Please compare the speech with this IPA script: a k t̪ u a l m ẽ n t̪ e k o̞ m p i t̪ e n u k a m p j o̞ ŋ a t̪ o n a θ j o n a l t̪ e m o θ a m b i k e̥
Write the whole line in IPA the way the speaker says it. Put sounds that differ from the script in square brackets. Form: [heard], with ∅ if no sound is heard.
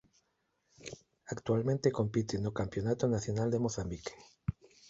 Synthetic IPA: a k t̪ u a l m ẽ n t̪ e k o̞ m p i t̪ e n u k a m p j o̞ [n] a t̪ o n a θ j o n a l [d̪] e m o θ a m b i k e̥